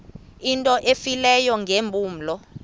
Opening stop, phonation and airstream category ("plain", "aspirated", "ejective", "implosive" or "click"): ejective